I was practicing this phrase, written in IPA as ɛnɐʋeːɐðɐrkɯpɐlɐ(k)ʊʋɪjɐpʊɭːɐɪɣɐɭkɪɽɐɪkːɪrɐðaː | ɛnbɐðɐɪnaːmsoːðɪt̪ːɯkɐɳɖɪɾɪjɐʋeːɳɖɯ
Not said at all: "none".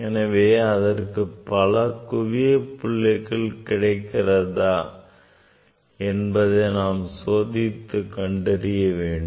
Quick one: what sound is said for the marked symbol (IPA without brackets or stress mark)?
k